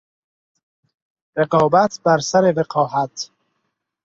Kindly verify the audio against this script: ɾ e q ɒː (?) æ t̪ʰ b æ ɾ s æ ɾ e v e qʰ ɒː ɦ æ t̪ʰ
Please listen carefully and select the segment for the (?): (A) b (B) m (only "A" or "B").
A